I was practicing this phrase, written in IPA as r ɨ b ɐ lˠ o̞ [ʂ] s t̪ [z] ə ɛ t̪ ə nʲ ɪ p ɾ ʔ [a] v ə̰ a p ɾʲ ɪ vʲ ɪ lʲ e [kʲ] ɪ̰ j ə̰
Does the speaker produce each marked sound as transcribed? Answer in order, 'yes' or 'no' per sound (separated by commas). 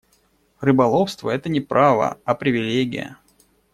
no, no, yes, no